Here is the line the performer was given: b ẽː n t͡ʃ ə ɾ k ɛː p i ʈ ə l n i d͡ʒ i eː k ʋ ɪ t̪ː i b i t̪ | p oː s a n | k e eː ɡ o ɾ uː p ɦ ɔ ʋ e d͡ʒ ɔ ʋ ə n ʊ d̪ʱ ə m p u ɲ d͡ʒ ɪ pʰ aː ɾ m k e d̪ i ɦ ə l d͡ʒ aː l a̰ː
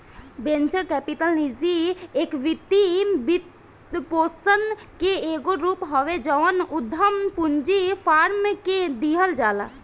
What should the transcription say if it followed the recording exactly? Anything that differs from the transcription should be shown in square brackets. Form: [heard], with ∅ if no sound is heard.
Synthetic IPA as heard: b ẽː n t͡ʃ ə ɾ k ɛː p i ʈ ə l n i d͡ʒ i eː k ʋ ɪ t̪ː i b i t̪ | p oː s [ə] n | k e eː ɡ o ɾ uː p ɦ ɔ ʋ e d͡ʒ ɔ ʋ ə n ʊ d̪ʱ ə m p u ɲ d͡ʒ [i] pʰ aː ɾ m k e d̪ i ɦ ə l d͡ʒ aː l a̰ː